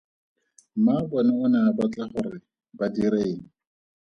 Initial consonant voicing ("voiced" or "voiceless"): voiced